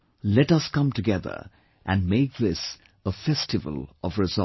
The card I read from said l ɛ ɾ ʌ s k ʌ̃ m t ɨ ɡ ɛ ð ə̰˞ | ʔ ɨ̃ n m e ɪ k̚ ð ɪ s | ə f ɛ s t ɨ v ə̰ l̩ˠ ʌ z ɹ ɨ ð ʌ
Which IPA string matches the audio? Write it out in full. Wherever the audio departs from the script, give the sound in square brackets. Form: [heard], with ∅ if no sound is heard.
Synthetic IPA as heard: l ɛ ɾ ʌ s k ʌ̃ m t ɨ ɡ ɛ ð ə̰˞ | ʔ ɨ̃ n m e ɪ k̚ ð ɪ s | ə f ɛ s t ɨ v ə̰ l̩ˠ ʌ [v] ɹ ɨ [z] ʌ